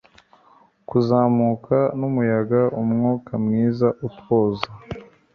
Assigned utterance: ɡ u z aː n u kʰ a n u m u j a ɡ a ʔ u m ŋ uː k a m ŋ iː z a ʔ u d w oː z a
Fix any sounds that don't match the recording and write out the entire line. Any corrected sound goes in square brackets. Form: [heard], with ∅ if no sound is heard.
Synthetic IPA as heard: [k] u z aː [m] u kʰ a n u m u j a ɡ a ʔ u m ŋ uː k a m ŋ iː z a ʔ u [t] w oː z a